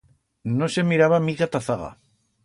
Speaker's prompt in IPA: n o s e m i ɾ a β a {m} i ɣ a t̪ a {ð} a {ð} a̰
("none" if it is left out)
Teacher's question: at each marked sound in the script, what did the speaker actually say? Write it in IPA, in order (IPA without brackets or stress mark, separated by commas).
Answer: m, θ, ɣ